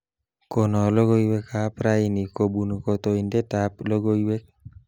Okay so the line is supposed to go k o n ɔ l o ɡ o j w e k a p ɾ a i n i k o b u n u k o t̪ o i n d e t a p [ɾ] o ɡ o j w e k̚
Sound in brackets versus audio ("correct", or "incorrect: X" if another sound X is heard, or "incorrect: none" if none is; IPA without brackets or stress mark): incorrect: l